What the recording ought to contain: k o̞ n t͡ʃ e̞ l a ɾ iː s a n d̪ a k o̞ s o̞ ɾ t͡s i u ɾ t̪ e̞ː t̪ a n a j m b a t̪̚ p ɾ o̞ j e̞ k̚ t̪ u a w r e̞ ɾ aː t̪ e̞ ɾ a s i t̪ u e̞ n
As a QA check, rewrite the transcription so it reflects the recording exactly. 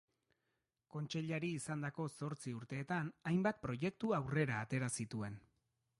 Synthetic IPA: k o̞ n t͡ʃ e̞ ʎ a ɾ iː s a n d̪ a k o̞ s o̞ ɾ t͡s i u ɾ t̪ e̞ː t̪ a n a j m b a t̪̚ p ɾ o̞ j e̞ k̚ t̪ u a w r e̞ ɾ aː t̪ e̞ ɾ a s i t̪ u e̞ n